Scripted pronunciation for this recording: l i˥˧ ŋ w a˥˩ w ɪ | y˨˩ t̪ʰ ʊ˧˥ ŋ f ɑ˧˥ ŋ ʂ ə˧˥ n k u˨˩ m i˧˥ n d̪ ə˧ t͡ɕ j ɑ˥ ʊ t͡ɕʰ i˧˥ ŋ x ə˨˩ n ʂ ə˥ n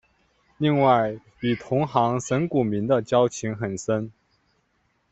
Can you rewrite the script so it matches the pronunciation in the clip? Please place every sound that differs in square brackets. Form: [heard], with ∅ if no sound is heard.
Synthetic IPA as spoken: l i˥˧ ŋ w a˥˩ [∅] ɪ | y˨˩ t̪ʰ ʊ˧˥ ŋ [x] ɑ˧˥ ŋ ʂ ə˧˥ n k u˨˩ m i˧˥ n d̪ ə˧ t͡ɕ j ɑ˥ ʊ t͡ɕʰ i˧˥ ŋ x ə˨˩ n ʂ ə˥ n